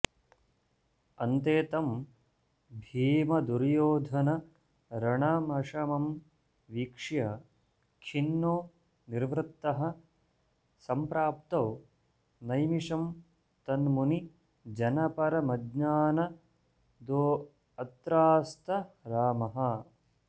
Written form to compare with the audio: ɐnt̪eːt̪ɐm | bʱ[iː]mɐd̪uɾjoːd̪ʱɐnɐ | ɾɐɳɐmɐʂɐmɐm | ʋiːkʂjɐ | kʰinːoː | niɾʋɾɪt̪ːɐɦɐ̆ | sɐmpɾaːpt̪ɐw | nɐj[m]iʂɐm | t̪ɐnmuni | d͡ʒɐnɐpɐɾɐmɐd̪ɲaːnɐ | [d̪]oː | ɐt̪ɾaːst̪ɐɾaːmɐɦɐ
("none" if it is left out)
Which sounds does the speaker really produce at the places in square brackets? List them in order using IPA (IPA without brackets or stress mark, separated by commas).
iː, m, d̪